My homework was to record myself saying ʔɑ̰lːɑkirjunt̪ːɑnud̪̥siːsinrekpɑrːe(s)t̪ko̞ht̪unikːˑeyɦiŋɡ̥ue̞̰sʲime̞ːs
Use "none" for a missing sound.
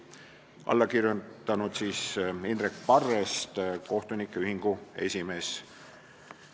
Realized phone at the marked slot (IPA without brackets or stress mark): s